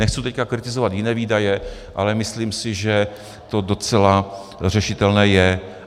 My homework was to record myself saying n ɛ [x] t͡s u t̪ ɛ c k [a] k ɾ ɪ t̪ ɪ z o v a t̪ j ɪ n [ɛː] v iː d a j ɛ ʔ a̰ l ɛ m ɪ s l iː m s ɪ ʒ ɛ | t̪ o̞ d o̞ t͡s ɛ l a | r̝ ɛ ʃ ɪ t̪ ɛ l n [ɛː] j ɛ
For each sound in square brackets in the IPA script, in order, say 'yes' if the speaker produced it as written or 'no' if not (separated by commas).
yes, yes, yes, yes